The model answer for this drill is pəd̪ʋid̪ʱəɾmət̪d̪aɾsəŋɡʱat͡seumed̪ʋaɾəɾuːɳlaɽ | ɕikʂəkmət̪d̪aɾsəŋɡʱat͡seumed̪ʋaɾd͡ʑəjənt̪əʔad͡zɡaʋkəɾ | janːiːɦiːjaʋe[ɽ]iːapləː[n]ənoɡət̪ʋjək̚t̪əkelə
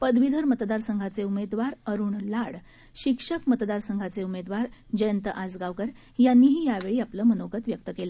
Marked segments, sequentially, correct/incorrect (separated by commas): incorrect, incorrect